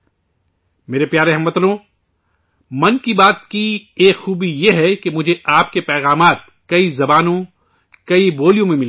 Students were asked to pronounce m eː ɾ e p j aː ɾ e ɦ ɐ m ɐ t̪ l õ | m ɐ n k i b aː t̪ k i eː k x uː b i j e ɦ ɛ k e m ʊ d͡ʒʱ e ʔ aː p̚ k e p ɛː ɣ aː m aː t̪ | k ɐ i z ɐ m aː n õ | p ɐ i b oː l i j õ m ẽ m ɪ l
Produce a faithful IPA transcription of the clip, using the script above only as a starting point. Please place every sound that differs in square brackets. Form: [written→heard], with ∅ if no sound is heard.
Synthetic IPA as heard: m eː ɾ e p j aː ɾ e ɦ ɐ m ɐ t̪ l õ | m ɐ n k i b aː t̪ k i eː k x uː b i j e ɦ ɛ k e m ʊ d͡ʒʱ e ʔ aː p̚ k e p ɛː ɣ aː m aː t̪ | k ɐ i z ɐ [m→b] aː n õ | [p→k] ɐ i b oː l i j õ m ẽ m ɪ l